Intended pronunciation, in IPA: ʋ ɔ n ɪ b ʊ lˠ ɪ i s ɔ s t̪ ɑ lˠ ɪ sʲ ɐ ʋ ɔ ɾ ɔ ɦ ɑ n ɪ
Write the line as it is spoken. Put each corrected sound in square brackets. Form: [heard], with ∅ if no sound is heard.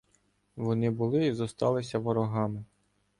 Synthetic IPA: ʋ ɔ n ɪ b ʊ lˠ ɪ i [z] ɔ s t̪ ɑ lˠ ɪ sʲ ɐ ʋ ɔ ɾ ɔ ɦ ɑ [m] ɪ